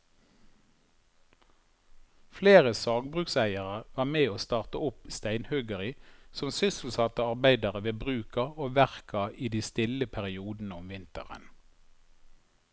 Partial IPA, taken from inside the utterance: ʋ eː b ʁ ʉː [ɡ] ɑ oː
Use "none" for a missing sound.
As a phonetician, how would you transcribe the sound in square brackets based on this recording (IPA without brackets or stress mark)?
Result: k